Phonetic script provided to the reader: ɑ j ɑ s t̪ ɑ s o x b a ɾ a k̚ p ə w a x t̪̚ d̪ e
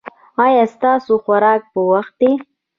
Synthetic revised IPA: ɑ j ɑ s t̪ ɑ s o x w a ɾ ɑ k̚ p ə w a x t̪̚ d̪ e